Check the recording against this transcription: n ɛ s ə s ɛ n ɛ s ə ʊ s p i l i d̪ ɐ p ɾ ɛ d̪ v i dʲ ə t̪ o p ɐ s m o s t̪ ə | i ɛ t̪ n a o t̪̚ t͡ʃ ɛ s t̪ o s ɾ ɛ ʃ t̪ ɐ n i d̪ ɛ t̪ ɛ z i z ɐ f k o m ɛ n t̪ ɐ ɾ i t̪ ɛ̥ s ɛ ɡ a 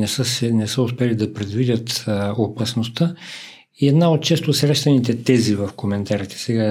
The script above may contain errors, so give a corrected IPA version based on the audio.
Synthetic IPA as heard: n ɛ s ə s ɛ n ɛ s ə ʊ s p ɛ l i d̪ ɐ p ɾ ɛ d̪ v i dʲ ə t̪ o p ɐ s n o s t̪ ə | i ɛ d̪ n a o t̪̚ t͡ʃ ɛ s t̪ o s ɾ ɛ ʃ t̪ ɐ n i t̪ ɛ t̪ ɛ z i v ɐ f k o m ɛ n t̪ a ɾ i t̪ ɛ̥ s ɛ ɡ a